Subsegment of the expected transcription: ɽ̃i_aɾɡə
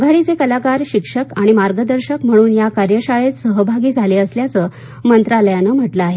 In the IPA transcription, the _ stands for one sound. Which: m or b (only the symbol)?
m